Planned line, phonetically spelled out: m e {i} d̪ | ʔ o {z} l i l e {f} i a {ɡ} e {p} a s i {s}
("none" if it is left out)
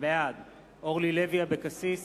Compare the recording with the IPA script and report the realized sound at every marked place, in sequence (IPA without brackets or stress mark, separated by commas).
a, ʁ, v, b, k, s